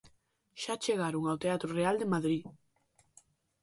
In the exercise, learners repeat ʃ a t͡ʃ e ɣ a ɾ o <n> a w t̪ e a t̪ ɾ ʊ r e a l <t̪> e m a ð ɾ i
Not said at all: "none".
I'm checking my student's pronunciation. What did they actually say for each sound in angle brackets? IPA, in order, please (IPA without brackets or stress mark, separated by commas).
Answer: ŋ, d̪